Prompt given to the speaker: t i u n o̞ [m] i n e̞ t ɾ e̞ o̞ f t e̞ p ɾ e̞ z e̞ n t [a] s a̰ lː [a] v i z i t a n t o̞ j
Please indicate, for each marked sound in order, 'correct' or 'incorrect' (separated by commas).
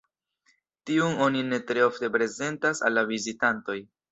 incorrect, correct, correct